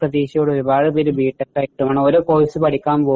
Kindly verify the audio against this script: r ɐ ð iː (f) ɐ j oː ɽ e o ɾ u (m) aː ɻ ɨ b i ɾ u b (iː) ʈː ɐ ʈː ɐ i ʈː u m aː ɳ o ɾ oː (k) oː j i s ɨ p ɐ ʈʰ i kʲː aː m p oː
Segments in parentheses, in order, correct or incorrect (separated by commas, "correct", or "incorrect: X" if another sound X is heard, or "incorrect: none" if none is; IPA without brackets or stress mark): incorrect: ɕ, incorrect: b, correct, correct